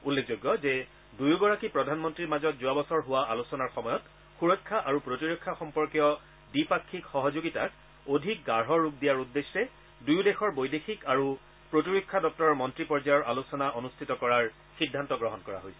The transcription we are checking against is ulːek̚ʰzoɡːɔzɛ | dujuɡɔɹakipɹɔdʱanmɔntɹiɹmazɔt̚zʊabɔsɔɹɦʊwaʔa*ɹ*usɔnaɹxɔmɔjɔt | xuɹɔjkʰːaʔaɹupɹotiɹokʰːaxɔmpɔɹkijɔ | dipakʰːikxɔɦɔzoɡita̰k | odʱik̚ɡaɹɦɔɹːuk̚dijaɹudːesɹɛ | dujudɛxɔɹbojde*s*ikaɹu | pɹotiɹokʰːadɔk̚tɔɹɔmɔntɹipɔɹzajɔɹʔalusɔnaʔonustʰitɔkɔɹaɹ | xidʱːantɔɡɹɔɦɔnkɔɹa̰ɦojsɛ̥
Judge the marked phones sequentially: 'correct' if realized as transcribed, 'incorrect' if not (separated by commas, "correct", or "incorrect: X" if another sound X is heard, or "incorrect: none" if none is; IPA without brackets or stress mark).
incorrect: l, incorrect: x